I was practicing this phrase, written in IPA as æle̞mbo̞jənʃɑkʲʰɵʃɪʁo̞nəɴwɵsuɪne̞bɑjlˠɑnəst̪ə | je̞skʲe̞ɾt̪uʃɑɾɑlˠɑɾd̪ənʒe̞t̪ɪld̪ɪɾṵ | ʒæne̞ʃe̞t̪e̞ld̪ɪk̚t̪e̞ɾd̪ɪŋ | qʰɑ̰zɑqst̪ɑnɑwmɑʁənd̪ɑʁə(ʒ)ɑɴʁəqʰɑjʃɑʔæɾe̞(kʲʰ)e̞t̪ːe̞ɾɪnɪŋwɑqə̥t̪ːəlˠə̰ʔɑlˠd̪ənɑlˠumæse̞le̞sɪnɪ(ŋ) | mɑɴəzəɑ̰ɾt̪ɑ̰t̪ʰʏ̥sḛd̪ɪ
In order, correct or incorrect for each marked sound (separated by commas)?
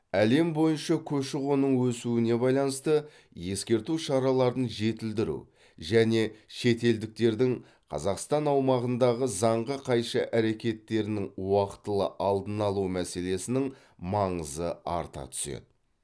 incorrect, incorrect, correct